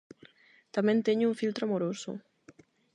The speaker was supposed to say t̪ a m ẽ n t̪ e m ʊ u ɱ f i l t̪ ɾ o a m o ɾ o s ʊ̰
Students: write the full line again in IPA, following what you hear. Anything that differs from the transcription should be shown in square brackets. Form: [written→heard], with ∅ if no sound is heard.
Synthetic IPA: t̪ a m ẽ n t̪ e [m→ɲ] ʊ u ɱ f i l t̪ ɾ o a m o ɾ o s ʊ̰